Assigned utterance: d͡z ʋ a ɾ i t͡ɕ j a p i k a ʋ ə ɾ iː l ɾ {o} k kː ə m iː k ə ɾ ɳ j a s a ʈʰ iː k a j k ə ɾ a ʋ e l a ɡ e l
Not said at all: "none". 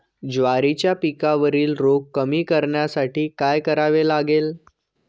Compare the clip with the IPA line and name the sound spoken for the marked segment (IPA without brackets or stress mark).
o